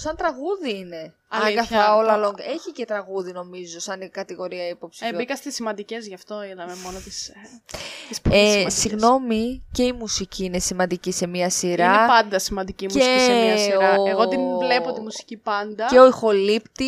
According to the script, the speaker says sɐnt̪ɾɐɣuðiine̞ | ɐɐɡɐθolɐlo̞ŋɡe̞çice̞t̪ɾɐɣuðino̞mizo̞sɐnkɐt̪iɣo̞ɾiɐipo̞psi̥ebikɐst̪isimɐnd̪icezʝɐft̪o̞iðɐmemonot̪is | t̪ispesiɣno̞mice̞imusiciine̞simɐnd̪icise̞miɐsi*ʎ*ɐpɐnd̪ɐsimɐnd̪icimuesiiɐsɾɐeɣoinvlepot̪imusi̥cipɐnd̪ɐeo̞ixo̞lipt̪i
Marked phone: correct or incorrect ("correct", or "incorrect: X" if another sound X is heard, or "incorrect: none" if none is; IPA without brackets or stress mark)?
incorrect: ɾ